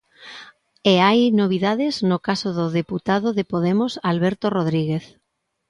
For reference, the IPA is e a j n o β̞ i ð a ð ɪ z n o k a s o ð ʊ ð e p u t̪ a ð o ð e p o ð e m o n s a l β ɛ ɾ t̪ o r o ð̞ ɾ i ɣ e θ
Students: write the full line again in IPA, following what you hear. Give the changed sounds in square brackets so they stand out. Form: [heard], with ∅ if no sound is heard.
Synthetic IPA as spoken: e a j n o β̞ i ð a ð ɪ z n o k a s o ð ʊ ð e p u t̪ a ð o ð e p o ð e m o [∅] s a l β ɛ ɾ t̪ o r o ð̞ ɾ i ɣ e θ